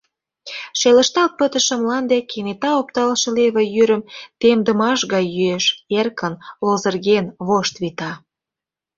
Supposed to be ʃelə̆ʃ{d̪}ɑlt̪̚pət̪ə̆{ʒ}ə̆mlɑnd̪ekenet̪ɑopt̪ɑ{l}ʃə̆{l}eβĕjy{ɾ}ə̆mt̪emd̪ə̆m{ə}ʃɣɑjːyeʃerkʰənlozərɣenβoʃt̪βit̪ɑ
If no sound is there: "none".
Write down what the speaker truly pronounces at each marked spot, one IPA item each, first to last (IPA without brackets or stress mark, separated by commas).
t̪, ʃ, l, l, ɾ, ɑ